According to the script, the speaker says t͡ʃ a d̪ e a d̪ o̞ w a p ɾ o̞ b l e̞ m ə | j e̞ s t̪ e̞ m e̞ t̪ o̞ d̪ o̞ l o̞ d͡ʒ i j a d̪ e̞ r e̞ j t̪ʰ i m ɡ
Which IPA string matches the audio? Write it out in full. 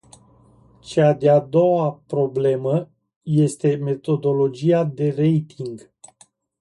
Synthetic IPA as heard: t͡ʃ a d̪ e a d̪ o̞ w a p ɾ o̞ b l e̞ m ə | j e̞ s t̪ e̞ m e̞ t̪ o̞ d̪ o̞ l o̞ d͡ʒ i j a d̪ e̞ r e̞ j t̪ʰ i ŋ ɡ